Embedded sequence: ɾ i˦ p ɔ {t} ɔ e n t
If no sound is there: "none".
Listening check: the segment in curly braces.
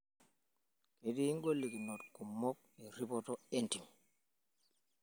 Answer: t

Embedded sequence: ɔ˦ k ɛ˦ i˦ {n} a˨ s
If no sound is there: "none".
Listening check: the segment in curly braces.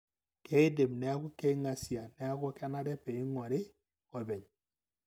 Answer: ŋ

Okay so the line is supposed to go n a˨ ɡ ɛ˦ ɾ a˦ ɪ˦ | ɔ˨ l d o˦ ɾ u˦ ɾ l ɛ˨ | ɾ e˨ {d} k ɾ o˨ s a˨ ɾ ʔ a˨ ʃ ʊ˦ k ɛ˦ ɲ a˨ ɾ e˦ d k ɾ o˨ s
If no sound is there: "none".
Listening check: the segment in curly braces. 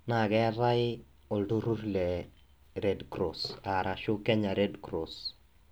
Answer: d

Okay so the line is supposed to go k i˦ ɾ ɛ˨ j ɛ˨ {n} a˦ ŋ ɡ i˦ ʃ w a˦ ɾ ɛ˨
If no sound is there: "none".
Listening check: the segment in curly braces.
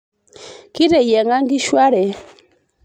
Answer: ŋ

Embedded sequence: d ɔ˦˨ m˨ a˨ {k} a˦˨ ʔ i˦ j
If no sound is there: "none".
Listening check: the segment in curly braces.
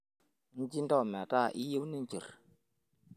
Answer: t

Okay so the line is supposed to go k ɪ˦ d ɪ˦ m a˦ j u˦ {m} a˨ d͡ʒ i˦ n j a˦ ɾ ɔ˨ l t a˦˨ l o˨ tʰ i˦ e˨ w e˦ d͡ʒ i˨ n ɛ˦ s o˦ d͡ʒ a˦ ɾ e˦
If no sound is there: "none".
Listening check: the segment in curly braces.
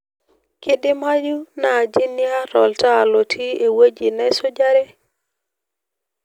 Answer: n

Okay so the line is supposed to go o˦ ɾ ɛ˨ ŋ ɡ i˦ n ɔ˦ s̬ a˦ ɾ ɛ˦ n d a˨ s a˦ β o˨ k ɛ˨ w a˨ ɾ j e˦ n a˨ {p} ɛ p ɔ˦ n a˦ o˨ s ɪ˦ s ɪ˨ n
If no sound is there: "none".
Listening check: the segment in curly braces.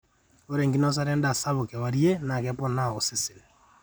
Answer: k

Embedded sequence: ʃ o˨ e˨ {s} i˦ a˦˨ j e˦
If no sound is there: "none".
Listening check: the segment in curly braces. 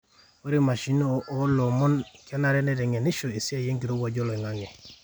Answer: s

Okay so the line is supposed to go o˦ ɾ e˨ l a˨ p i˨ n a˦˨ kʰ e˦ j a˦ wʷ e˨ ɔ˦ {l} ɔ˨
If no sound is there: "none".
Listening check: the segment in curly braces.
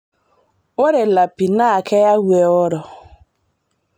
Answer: ɾ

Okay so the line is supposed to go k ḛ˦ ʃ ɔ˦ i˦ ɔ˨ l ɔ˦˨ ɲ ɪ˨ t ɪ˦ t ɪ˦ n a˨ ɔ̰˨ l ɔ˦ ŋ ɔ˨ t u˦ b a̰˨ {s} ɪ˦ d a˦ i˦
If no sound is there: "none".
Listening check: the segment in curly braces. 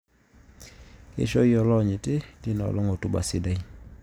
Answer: s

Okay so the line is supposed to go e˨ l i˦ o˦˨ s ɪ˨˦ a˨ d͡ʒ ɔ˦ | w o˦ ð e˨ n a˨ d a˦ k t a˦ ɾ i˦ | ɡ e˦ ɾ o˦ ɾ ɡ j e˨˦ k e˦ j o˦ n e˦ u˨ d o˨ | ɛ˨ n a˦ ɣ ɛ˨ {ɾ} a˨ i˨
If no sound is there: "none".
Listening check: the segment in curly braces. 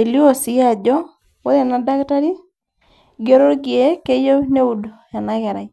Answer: ɾ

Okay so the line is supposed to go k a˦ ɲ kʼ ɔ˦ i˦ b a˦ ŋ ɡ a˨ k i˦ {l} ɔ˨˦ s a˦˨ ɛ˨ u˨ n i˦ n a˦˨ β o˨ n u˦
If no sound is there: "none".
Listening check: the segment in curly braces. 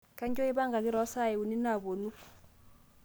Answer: ɾ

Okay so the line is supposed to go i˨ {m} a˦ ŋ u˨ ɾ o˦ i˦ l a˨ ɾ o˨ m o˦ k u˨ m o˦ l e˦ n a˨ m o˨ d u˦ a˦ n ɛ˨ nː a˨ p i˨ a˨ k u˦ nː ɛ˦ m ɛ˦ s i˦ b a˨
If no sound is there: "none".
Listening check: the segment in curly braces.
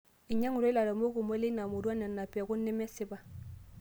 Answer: ɲ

